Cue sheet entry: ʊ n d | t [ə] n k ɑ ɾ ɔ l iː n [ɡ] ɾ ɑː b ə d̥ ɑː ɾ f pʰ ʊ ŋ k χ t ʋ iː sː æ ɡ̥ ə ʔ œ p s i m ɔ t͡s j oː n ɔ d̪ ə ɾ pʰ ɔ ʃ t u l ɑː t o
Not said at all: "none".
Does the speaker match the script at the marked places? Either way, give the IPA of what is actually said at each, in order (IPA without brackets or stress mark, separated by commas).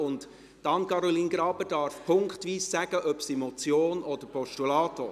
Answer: ɑ, ɡ